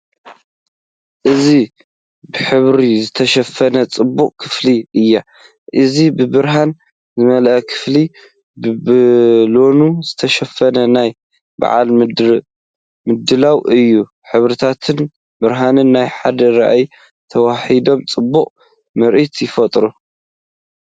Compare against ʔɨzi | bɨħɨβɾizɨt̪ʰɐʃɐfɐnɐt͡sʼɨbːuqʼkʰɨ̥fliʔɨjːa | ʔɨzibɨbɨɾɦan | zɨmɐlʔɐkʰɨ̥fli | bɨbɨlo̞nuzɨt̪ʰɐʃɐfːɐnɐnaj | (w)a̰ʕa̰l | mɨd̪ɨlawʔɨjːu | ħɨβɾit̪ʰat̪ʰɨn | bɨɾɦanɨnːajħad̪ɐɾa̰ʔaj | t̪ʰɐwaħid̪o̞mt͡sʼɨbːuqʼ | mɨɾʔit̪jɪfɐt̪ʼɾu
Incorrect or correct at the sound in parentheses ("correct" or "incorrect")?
incorrect